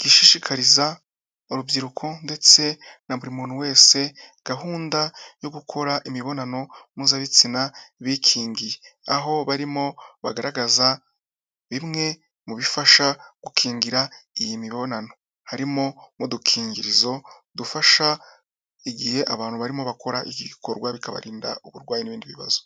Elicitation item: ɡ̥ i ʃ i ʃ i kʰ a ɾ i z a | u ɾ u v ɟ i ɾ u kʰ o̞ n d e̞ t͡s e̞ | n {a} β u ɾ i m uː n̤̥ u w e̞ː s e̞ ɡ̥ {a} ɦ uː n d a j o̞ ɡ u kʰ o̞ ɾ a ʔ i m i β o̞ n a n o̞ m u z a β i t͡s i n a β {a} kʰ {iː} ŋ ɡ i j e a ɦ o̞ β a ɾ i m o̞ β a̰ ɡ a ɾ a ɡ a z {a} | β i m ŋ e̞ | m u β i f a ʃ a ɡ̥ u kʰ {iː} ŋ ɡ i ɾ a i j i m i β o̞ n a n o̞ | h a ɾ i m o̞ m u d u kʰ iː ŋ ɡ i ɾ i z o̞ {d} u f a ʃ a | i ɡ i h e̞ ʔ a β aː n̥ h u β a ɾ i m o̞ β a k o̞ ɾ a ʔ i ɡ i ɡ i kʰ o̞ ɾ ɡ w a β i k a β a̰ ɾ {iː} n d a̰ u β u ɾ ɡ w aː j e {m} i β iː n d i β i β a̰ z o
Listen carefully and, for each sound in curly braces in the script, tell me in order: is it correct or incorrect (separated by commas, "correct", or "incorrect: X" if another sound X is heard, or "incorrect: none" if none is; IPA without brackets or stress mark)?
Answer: correct, correct, incorrect: i, correct, correct, correct, correct, correct, incorrect: n